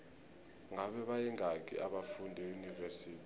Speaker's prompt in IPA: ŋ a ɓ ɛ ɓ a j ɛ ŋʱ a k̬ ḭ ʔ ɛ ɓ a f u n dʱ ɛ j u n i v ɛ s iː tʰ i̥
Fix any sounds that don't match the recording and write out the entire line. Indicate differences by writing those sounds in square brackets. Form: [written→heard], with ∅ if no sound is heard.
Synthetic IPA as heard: ŋ a ɓ ɛ ɓ a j ɛ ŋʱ a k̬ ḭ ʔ [ɛ→a] ɓ a f u n dʱ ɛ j u n i v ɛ s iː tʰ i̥